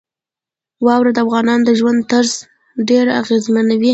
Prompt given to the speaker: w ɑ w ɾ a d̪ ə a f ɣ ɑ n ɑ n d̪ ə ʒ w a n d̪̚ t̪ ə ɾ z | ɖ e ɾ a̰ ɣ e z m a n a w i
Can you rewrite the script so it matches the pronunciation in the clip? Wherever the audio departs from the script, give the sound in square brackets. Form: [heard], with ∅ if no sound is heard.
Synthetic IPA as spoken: w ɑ w ɾ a d̪ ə a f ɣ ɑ n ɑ n d̪ ə ʒ w a n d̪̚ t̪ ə ɾ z | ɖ e ɾ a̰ ɣ e z m a n a w i